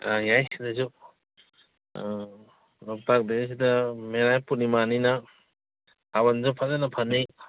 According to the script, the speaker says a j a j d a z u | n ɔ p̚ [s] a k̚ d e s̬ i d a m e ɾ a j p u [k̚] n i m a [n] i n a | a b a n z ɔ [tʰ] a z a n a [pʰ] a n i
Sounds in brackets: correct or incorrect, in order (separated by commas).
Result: incorrect, incorrect, correct, incorrect, correct